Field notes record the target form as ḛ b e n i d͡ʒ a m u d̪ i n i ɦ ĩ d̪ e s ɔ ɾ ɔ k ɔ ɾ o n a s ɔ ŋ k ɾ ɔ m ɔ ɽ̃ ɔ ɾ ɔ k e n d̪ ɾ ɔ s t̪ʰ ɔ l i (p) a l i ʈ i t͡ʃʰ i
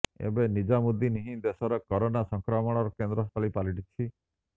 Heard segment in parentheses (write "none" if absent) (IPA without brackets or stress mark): p